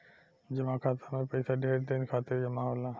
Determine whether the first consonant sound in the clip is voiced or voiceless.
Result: voiced